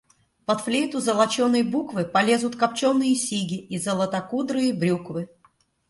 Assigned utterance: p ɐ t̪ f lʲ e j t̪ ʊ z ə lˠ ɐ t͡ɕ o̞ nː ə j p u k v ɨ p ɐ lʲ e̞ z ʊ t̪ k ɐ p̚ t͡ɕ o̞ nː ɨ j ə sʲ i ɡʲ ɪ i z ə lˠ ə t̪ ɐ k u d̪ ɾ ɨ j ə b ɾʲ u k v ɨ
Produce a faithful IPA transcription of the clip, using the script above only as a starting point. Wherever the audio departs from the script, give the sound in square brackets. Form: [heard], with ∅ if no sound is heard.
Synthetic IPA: p ɐ t̪ f lʲ e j t̪ ʊ z ə lˠ ɐ t͡ɕ o̞ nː ə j [b] u k v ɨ p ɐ lʲ e̞ z ʊ t̪ k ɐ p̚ t͡ɕ o̞ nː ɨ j ə sʲ i ɡʲ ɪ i z ə lˠ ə t̪ ɐ k u d̪ ɾ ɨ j ə b ɾʲ u k v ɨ